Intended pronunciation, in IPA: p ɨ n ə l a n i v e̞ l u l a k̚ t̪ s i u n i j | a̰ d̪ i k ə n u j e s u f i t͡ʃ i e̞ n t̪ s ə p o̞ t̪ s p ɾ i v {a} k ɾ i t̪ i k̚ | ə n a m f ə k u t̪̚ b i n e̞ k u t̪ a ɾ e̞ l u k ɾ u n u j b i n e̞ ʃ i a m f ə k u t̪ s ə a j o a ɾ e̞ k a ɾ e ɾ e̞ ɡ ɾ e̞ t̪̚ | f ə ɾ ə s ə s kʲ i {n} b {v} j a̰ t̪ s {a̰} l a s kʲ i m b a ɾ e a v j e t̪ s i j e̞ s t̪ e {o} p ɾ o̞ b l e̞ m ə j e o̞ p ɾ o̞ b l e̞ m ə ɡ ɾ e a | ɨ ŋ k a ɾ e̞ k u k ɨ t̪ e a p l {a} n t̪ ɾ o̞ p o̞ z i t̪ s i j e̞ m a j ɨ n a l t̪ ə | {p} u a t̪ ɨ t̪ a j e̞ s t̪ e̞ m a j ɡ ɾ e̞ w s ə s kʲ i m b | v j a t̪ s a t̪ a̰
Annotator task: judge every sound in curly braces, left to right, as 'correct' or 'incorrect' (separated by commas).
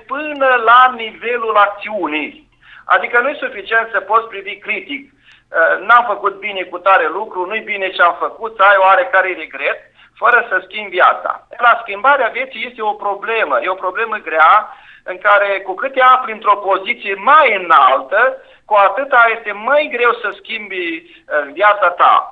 incorrect, incorrect, correct, correct, correct, incorrect, incorrect